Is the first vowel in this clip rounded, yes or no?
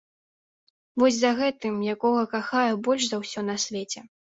yes